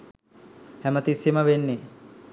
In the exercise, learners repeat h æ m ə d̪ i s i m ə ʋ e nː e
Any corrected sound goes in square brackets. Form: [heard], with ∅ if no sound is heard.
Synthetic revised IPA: h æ m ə [t̪] i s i m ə ʋ e nː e